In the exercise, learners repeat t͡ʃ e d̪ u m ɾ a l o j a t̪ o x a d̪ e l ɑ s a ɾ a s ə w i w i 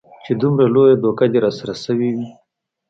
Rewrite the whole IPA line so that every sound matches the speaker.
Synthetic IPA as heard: t͡ʃ e d̪ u m ɾ a l o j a d̪ o k a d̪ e ɾ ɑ s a ɾ a s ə w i w i